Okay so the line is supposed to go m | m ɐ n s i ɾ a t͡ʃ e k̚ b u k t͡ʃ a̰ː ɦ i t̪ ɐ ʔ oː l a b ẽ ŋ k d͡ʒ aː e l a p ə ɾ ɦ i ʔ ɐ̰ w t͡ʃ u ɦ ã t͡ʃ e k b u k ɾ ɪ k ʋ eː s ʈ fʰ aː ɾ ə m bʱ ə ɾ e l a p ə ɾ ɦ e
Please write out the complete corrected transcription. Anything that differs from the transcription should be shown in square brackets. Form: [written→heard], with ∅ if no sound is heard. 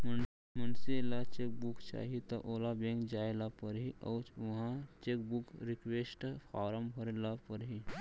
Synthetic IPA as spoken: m | m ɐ n s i [ɾ→l] a t͡ʃ e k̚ b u k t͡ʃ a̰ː ɦ i t̪ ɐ ʔ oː l a b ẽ ŋ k d͡ʒ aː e l a p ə ɾ ɦ i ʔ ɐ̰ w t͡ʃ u ɦ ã t͡ʃ e k b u k ɾ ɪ k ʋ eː s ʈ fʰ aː ɾ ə m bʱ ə ɾ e l a p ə ɾ ɦ [e→i]